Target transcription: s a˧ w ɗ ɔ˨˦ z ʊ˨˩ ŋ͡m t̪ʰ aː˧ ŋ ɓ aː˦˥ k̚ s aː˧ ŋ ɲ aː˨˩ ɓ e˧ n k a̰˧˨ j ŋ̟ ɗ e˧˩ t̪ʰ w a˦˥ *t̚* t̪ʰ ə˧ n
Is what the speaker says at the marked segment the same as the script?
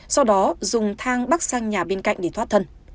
yes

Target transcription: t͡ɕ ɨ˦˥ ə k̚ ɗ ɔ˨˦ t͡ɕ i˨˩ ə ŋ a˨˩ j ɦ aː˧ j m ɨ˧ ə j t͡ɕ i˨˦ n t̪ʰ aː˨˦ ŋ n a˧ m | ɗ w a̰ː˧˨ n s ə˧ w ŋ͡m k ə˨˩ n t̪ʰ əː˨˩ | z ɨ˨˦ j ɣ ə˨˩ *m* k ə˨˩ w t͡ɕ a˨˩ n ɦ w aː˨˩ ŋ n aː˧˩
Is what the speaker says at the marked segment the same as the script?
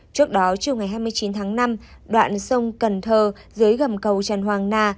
yes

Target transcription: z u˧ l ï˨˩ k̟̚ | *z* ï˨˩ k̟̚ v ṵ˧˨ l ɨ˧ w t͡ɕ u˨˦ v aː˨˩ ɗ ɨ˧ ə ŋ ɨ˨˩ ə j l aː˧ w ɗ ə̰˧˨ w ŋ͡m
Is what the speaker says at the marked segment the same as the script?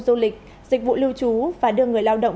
yes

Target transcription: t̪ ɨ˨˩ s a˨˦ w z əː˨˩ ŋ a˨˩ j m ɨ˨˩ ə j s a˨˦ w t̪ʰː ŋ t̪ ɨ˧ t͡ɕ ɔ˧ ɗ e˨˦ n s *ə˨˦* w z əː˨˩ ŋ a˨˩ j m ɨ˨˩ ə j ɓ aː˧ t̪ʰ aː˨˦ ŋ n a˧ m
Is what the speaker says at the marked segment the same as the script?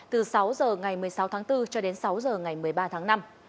no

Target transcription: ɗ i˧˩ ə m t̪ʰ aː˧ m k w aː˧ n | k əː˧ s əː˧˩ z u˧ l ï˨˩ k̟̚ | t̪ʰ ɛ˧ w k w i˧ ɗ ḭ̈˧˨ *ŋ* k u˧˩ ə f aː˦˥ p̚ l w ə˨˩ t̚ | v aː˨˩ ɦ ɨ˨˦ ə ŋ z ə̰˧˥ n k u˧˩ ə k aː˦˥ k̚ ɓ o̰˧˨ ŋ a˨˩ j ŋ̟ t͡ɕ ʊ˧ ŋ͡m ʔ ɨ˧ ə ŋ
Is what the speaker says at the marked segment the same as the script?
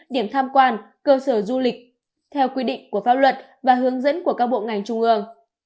yes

